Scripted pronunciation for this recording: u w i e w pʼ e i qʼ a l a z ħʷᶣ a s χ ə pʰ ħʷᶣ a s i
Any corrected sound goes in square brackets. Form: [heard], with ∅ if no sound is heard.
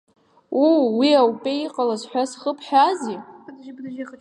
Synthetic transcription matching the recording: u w i [a] w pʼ e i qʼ a l a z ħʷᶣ a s χ ə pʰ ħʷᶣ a [z] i